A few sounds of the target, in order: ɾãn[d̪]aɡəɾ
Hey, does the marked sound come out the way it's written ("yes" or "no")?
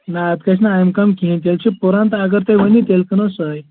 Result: no